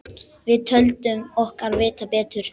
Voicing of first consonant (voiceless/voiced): voiced